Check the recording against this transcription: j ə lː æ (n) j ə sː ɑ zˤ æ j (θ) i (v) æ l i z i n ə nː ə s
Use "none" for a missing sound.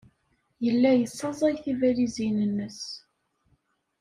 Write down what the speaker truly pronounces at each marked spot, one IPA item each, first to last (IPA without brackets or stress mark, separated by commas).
none, θ, v